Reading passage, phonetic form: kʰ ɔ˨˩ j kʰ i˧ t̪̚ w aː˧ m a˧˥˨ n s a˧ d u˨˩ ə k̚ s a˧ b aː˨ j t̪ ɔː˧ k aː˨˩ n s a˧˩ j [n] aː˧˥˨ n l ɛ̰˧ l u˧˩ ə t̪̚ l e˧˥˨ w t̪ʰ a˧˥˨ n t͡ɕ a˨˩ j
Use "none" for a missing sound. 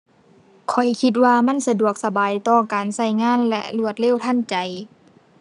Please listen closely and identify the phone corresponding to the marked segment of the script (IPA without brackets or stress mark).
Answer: ŋ